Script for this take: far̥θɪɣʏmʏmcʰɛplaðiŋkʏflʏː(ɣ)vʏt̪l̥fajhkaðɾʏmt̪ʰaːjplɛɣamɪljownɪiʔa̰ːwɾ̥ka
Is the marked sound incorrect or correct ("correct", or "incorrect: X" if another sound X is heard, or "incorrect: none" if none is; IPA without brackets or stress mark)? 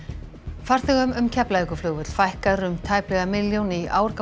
correct